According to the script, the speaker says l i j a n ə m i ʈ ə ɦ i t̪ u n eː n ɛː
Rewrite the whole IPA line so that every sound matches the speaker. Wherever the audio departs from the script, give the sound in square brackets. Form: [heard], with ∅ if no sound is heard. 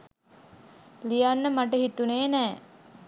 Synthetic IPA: l i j a [nː] ə m [a] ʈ ə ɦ i t̪ u n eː n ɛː